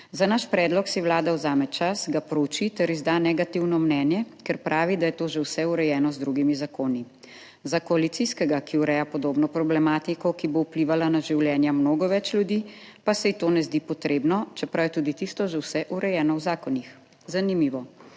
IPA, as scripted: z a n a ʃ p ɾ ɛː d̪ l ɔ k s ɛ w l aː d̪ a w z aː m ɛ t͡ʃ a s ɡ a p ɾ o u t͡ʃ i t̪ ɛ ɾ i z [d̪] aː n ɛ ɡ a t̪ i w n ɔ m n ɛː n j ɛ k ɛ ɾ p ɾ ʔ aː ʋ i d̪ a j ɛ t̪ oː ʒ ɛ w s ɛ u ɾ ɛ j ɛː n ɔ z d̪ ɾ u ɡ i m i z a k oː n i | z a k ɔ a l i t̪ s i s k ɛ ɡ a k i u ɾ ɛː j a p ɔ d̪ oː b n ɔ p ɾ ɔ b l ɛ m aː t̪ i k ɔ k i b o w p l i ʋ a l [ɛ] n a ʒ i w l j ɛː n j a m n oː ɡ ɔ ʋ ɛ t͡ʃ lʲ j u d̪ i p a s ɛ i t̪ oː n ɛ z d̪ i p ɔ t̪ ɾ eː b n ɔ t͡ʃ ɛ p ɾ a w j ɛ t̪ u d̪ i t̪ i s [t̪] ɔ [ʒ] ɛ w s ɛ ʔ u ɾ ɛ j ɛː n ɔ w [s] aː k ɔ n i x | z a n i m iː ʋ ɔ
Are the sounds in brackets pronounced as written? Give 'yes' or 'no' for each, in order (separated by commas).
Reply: yes, no, yes, yes, no